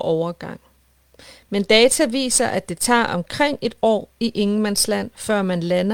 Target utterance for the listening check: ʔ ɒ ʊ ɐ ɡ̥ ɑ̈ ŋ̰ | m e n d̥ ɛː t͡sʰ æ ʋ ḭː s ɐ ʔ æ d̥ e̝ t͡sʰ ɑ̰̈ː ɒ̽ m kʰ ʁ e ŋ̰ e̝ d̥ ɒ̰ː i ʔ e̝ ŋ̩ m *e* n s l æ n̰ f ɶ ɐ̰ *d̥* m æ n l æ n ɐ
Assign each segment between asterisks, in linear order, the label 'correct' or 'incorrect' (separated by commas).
incorrect, incorrect